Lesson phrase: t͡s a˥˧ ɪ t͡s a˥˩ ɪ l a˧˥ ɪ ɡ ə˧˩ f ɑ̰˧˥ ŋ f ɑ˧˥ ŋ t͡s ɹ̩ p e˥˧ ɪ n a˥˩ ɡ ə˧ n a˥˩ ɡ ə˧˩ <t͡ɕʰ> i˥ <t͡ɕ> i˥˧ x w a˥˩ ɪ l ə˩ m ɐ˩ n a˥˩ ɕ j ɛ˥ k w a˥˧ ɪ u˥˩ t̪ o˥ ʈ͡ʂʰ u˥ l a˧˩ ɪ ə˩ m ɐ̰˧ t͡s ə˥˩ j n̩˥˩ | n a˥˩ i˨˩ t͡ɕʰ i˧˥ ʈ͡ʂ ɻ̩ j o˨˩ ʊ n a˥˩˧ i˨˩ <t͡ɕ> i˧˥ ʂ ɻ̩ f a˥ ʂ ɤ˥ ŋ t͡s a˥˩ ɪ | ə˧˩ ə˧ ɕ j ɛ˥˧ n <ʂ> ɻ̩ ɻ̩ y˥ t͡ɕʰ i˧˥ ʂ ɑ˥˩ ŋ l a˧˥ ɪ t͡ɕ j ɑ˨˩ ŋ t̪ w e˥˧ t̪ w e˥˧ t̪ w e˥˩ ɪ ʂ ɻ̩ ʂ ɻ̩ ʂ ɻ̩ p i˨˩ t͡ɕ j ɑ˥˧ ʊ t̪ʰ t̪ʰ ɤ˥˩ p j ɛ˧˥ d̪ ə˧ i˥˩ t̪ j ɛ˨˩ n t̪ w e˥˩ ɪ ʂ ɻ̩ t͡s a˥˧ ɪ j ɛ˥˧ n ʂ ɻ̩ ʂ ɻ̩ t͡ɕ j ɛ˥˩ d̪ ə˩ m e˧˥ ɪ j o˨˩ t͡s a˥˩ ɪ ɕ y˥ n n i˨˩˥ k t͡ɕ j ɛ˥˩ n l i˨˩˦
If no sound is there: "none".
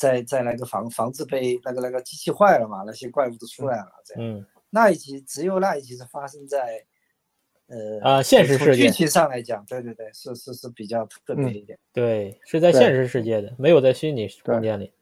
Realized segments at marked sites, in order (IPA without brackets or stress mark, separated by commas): t͡ɕ, t͡ɕʰ, t͡ɕʰ, ʂ